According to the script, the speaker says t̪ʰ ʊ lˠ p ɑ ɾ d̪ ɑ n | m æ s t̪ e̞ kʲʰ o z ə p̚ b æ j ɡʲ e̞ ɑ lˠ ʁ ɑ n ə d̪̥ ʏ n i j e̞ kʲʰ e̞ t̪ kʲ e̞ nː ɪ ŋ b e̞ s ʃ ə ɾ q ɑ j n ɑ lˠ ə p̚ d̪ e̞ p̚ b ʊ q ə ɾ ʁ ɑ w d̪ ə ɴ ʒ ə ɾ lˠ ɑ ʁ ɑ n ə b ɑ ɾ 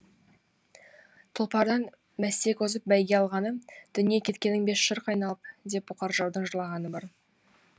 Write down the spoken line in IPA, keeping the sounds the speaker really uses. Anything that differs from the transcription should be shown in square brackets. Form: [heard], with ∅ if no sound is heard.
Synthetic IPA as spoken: t̪ʰ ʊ lˠ p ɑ ɾ d̪ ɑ n | m æ s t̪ e̞ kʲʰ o z ə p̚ b æ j ɡʲ e̞ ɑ lˠ ʁ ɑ n ə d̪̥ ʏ n i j e̞ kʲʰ e̞ t̪ kʲ e̞ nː ɪ ŋ b e̞ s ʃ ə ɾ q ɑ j n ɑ lˠ ə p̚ d̪ e̞ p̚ b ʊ q [ɑ] ɾ [ʒ] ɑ w d̪ ə ɴ ʒ ə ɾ lˠ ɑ ʁ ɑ n ə b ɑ ɾ